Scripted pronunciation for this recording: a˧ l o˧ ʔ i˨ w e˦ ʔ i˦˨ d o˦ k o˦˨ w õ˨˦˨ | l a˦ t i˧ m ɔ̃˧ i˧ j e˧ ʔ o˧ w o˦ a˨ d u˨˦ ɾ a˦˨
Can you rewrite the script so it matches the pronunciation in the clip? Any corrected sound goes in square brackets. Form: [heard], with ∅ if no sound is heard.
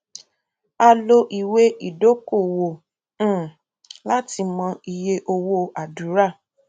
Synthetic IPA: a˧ l o˧ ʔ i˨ w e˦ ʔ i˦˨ d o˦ k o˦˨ w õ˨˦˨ | l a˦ t i˧ m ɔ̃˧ i˧ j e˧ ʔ o˧ w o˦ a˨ d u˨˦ ɾ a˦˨